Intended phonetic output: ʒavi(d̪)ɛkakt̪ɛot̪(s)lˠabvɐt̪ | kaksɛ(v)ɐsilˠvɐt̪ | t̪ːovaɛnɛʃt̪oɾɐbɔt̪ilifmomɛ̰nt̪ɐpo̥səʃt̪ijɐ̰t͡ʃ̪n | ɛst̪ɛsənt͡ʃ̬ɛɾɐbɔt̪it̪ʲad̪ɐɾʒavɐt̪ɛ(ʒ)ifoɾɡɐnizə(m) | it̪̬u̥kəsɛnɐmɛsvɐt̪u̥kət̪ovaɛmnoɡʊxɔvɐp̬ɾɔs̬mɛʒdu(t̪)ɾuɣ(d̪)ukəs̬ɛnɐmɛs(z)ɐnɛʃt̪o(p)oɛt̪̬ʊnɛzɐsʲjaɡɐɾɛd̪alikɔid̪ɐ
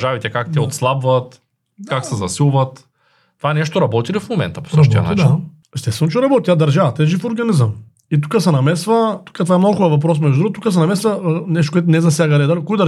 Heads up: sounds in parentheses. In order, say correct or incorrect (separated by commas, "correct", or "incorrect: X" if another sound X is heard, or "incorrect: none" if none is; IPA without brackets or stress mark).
incorrect: t̪, correct, incorrect: z, correct, correct, incorrect: d̪, incorrect: t̪, incorrect: v, incorrect: k